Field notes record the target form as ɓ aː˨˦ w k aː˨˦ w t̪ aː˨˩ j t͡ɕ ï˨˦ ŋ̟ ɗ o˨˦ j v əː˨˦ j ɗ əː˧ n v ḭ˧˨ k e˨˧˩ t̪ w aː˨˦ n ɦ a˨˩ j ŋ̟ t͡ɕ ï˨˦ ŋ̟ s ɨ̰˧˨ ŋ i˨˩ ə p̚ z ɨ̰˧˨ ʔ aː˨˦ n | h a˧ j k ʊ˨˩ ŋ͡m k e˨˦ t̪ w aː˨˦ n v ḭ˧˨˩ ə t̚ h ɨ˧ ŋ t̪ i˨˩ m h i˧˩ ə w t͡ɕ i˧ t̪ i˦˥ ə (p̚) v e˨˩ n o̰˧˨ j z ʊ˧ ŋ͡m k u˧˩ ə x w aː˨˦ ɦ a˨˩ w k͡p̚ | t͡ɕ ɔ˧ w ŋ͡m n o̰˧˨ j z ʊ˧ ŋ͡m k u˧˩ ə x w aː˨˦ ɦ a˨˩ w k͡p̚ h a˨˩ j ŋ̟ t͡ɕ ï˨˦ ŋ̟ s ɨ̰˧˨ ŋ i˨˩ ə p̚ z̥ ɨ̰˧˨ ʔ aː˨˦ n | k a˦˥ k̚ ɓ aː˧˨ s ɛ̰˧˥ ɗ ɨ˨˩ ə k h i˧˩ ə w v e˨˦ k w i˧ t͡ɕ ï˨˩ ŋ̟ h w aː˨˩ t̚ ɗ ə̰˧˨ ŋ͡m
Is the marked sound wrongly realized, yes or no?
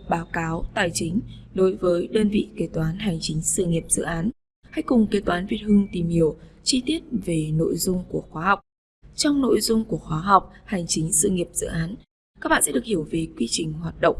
yes